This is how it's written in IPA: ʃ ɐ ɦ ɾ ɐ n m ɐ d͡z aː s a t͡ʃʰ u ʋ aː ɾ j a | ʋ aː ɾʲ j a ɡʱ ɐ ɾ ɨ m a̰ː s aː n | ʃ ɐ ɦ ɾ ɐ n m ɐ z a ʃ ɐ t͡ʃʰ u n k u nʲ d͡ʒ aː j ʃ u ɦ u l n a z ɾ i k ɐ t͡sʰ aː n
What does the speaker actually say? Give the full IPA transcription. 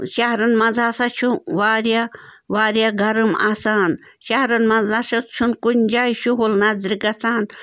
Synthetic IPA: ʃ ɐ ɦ ɾ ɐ n m ɐ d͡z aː s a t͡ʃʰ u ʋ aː ɾ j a | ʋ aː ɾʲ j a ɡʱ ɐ ɾ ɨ m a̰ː s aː n | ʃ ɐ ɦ ɾ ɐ n m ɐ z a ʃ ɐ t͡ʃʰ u n k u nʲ d͡ʒ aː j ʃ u ɦ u l n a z ɾ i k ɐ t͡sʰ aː n

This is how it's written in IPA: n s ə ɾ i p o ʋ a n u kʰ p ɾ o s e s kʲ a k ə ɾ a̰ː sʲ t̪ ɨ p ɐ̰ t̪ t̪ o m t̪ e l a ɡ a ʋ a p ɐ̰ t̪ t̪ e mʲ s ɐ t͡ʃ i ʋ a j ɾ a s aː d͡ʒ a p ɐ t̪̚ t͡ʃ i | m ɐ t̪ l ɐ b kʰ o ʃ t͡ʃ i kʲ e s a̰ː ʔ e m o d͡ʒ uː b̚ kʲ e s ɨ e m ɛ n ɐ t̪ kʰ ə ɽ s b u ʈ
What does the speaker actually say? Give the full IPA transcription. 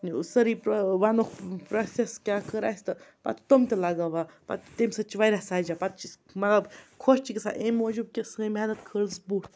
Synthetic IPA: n s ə ɾ i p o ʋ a n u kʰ p ɾ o s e s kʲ a k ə ɾ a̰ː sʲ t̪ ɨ p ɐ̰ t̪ t̪ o m t̪ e l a ɡ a ʋ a p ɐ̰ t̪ t̪ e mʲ s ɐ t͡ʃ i ʋ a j ɾ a s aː d͡ʒ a p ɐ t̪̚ t͡ʃ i | m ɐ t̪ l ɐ b kʰ o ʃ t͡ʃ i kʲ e s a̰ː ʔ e m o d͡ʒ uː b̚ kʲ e s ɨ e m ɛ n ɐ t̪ kʰ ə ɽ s b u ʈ

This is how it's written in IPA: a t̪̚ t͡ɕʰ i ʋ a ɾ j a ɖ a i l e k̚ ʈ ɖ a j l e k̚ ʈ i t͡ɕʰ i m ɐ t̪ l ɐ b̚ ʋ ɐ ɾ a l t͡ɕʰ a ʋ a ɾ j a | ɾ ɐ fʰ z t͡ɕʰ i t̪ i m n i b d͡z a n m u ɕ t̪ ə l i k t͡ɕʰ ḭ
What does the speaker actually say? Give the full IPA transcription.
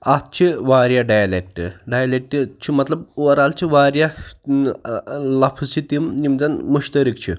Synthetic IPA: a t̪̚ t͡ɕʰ i ʋ a ɾ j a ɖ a j l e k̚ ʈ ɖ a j l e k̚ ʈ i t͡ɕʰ i m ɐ t̪ l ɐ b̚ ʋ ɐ ɾ a l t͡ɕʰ i ʋ a ɾ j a | l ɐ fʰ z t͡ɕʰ i t̪ i m n i m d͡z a n m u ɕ t̪ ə ɾ i k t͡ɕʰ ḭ

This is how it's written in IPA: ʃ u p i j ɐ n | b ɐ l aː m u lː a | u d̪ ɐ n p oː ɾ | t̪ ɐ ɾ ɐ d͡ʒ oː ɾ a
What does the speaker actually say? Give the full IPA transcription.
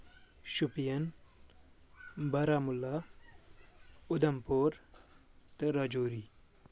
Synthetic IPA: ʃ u p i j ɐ n | b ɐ ɾ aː m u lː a | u d̪ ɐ m p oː ɾ | t̪ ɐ ɾ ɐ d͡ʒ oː ɾ i

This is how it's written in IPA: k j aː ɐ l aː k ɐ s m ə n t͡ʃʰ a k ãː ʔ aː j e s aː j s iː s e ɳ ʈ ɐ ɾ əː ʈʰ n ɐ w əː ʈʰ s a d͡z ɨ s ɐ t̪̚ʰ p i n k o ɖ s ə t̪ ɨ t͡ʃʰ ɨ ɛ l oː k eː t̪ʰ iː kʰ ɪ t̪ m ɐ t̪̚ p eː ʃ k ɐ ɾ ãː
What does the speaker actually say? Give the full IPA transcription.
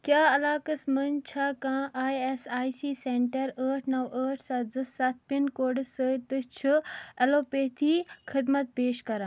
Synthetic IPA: k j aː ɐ l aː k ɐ s m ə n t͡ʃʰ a k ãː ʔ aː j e s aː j s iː s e ɳ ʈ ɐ ɾ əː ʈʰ n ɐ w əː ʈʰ s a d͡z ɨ s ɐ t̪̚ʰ p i n k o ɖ s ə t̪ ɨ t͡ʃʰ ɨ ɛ l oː p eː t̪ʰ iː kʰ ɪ d̪ m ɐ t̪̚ p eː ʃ k ɐ ɾ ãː

